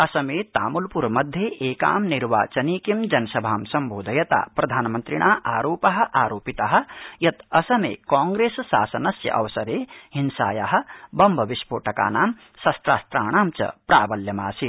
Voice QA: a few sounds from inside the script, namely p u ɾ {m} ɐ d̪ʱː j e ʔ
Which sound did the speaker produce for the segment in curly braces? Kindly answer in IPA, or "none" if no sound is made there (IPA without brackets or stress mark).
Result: m